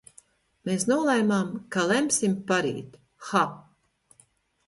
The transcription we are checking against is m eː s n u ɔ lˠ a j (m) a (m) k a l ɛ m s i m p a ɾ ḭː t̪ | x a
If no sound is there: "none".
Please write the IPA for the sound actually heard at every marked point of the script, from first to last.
m, m

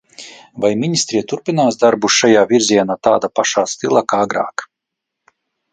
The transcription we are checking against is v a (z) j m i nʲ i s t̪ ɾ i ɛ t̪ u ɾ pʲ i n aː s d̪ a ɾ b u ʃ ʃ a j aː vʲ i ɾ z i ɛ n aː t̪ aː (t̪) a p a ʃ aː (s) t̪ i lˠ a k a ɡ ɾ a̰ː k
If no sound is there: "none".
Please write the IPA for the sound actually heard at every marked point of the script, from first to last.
none, d̪, s

